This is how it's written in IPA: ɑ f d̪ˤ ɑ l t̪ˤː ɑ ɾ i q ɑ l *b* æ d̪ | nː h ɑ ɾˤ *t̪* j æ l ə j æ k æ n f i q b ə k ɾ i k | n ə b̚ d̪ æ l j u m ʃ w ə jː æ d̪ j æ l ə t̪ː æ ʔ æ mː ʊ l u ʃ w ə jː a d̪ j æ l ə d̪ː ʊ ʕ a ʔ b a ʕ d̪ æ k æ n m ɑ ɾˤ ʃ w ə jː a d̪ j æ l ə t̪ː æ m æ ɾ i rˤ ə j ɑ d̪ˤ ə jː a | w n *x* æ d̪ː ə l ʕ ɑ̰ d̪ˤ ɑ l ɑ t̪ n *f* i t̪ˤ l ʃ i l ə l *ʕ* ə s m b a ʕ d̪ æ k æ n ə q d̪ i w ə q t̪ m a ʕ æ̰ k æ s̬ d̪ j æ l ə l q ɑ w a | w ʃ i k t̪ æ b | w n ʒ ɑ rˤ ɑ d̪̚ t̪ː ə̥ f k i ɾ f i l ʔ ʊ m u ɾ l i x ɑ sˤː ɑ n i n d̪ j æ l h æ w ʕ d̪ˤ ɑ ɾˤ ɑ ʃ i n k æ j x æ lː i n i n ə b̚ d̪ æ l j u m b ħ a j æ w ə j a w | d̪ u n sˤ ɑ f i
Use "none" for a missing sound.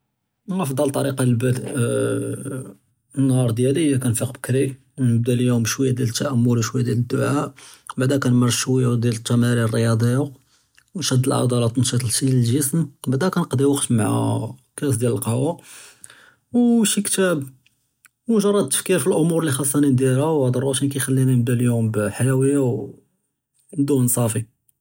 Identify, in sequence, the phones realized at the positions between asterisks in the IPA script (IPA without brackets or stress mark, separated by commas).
b, d̪, ʃ, ʃ, ʒ